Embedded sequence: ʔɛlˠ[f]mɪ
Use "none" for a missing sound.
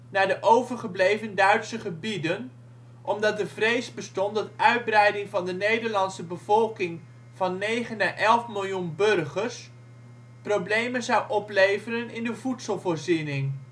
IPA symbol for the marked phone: f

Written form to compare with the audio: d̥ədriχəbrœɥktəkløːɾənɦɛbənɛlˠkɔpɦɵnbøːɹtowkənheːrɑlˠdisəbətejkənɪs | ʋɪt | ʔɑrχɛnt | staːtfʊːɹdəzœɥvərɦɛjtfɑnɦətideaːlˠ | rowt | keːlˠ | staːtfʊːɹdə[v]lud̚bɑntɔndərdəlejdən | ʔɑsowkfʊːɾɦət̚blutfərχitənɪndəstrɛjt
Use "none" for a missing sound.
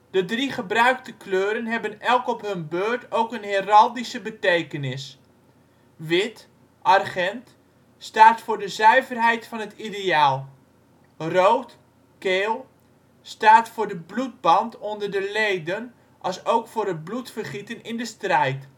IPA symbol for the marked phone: b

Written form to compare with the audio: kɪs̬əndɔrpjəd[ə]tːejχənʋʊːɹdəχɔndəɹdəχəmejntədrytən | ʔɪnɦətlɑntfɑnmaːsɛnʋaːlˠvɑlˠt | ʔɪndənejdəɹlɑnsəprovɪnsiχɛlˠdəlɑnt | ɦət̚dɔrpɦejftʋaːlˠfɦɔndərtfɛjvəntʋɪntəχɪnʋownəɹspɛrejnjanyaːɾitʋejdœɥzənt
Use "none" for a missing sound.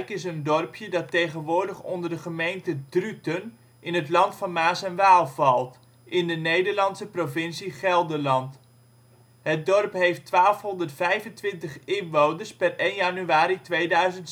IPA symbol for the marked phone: ɑ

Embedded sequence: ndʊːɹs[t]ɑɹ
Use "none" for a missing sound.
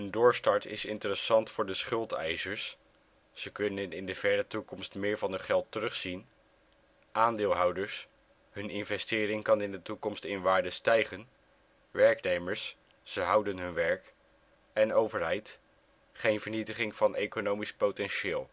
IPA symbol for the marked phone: t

